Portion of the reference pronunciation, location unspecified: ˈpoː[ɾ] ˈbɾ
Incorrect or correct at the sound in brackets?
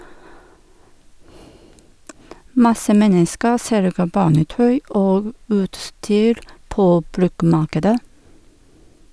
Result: incorrect: none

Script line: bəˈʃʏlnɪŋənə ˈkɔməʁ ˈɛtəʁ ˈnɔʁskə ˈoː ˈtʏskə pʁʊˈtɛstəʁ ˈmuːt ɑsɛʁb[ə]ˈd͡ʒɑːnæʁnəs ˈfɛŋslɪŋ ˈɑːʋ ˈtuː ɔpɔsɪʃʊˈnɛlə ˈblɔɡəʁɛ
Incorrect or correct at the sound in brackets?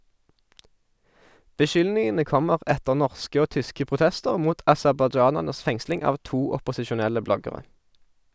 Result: incorrect: ɑ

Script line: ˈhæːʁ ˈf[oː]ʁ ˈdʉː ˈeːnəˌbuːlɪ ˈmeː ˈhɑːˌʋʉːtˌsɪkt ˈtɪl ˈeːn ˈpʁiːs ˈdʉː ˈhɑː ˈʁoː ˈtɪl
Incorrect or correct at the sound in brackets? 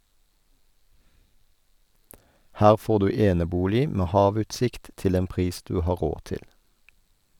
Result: correct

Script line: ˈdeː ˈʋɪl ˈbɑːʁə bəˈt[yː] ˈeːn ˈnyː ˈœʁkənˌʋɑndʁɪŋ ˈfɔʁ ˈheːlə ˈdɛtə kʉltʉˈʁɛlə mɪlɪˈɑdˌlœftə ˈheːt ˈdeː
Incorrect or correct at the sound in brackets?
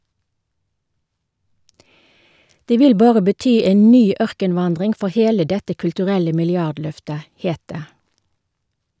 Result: correct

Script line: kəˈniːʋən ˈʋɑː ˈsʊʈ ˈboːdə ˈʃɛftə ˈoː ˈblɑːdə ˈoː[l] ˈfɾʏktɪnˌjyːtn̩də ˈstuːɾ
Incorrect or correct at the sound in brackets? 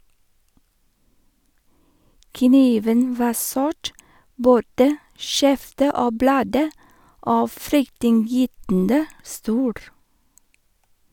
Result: incorrect: none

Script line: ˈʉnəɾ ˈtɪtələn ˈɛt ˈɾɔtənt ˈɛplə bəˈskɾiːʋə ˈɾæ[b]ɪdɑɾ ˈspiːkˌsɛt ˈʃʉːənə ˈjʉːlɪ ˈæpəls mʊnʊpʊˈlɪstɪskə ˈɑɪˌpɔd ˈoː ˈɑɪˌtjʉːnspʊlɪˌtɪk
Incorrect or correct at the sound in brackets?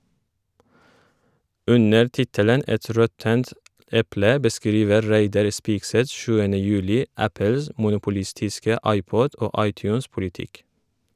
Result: incorrect: none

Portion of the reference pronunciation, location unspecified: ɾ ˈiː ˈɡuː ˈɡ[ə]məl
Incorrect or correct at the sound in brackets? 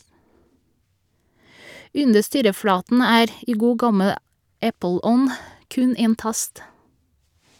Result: incorrect: ɑ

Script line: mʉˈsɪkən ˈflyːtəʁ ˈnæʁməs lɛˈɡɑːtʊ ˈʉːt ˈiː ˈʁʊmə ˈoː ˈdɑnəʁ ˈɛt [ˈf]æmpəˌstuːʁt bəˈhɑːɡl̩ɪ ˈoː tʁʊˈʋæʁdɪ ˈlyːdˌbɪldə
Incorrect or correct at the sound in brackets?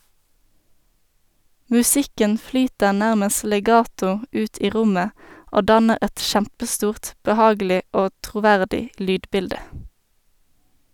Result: incorrect: ʃ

